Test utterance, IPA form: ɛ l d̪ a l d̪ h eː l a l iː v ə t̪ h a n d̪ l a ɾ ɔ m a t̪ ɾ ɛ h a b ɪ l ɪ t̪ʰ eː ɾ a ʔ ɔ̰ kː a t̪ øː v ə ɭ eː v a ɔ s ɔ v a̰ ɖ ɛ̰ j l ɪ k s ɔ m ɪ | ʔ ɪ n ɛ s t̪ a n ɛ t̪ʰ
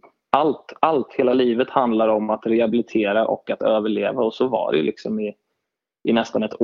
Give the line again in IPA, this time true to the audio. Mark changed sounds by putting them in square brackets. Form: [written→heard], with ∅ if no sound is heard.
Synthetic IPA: [ɛ→a] l [d̪→t̪] a l [d̪→t̪] h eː l a l iː v ə t̪ h a n d̪ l a ɾ ɔ m a t̪ ɾ ɛ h a b ɪ l ɪ t̪ʰ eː ɾ a ʔ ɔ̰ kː a t̪ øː v ə ɭ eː v a ɔ s ɔ v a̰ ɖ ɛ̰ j l ɪ k s ɔ m ɪ | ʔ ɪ n ɛ s t̪ a n ɛ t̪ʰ